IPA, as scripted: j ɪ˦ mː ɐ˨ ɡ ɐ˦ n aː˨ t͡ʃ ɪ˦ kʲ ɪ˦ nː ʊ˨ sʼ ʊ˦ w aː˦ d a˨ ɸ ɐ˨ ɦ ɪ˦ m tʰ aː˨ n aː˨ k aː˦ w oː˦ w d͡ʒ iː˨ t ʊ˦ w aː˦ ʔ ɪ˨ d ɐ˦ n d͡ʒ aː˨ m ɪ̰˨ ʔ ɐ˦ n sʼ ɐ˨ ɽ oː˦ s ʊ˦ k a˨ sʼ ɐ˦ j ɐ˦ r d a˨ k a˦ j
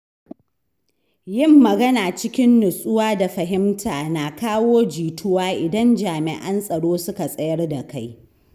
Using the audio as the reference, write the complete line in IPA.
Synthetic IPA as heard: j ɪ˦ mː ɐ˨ ɡ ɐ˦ n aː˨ t͡ʃ ɪ˦ kʲ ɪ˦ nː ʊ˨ sʼ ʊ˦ w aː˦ d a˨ ɸ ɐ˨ ɦ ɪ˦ m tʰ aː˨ n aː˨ k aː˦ w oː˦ d͡ʒ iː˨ t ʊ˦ w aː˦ ʔ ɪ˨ d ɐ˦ n d͡ʒ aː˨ m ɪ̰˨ ʔ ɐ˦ n sʼ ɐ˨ ɽ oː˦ s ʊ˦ k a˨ sʼ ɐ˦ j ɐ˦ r d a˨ k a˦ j